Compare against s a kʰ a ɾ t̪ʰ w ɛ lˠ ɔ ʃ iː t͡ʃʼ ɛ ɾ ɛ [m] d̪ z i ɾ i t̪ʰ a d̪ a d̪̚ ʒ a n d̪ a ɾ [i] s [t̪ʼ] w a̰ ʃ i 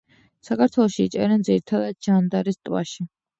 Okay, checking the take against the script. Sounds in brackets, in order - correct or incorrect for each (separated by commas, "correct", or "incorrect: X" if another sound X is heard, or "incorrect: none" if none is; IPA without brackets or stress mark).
incorrect: n, correct, correct